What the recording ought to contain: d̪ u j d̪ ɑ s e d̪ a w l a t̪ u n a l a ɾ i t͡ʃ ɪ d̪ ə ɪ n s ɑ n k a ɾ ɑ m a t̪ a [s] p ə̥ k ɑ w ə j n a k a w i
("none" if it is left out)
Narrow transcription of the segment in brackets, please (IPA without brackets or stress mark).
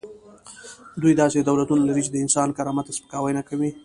s